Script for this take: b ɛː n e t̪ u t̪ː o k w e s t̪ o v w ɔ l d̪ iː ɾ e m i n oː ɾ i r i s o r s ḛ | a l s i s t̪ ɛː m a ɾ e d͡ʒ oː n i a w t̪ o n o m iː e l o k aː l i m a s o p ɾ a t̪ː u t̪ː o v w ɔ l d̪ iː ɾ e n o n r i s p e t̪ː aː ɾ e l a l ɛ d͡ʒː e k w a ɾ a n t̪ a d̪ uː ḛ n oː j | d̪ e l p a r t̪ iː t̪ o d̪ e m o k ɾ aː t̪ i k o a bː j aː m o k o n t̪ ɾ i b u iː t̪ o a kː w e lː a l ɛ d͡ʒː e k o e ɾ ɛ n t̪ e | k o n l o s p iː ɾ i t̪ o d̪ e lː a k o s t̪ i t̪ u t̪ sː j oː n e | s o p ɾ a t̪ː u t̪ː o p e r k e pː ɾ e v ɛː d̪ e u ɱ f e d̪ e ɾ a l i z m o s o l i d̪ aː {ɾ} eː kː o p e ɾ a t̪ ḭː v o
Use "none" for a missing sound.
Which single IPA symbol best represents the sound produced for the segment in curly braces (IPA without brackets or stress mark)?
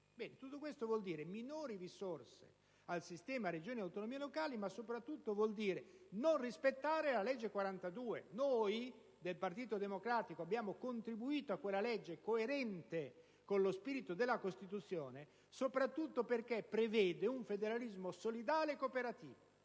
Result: l